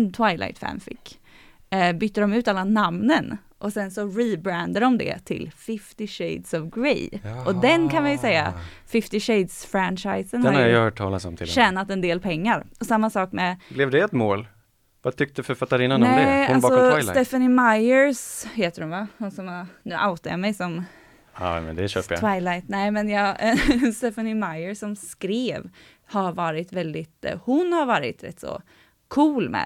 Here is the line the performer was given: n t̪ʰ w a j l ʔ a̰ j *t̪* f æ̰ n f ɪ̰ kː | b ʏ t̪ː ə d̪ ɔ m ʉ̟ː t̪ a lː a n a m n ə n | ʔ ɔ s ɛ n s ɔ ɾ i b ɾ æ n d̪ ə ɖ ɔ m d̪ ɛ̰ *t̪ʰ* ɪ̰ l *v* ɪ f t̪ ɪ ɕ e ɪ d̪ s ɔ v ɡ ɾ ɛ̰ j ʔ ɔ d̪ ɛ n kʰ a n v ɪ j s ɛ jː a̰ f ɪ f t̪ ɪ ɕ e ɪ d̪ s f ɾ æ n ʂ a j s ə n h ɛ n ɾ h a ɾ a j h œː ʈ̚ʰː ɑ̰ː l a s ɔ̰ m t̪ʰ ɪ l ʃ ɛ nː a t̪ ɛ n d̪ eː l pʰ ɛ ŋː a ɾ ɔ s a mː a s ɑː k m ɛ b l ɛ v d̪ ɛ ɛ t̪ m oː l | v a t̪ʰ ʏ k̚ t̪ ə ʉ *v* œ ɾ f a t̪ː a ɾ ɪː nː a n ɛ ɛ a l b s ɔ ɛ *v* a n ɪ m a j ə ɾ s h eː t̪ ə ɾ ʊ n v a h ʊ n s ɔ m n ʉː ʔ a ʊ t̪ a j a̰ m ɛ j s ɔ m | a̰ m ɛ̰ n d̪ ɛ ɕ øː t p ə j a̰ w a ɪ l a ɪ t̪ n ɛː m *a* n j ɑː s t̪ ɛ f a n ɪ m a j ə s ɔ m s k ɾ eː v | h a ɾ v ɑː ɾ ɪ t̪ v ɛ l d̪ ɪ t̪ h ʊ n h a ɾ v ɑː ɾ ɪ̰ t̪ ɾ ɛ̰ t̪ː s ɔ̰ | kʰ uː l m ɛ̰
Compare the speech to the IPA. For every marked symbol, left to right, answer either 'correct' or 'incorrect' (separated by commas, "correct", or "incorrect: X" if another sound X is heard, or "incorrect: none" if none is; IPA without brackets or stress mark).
correct, correct, incorrect: f, incorrect: f, incorrect: f, incorrect: ɛ